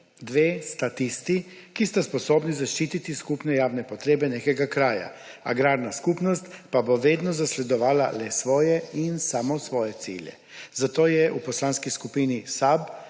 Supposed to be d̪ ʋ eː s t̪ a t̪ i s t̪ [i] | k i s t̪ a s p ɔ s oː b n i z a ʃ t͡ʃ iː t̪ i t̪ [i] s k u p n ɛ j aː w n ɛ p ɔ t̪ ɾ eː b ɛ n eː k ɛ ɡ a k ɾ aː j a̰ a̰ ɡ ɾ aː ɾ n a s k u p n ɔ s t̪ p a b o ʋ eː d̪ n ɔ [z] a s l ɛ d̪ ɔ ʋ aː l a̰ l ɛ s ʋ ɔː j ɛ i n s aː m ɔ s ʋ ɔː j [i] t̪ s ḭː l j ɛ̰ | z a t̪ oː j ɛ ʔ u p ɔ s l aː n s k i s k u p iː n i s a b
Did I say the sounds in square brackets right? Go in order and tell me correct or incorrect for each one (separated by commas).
correct, correct, correct, incorrect